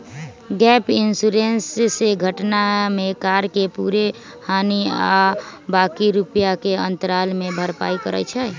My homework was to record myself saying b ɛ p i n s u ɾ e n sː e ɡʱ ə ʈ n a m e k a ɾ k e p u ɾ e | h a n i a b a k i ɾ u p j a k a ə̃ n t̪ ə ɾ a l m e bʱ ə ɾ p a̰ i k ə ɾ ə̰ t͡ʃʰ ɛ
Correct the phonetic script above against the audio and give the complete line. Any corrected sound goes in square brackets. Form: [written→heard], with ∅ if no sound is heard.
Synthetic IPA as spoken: [b→ɡ] ɛ p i n s u ɾ e n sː e ɡʱ ə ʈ n a m e k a ɾ k e p u ɾ e | h a n i a b a k i ɾ u p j a k [a→e] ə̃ n t̪ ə ɾ a l m e bʱ ə ɾ p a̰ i k ə ɾ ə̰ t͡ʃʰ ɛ